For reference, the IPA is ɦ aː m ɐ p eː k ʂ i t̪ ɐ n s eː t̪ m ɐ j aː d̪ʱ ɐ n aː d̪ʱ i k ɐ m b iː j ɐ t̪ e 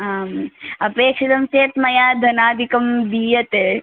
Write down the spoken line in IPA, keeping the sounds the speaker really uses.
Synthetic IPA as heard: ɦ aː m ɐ p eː k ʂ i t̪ ɐ m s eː t̪ m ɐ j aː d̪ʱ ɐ n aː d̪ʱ i k ɐ m b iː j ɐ t̪ e